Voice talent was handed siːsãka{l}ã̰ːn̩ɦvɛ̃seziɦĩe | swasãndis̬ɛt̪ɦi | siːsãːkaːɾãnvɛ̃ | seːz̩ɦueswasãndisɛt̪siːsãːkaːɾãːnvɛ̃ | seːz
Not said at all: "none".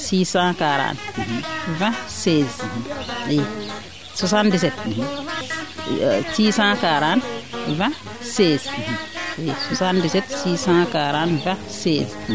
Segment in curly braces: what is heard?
ɾ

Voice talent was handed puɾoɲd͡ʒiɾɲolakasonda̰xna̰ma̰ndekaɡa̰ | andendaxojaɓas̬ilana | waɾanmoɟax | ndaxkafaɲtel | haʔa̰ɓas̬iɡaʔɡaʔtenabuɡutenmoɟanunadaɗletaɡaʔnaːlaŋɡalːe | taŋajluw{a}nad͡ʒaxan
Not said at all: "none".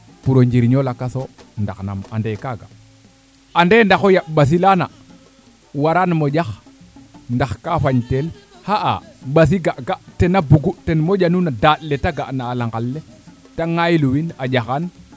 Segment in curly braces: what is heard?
i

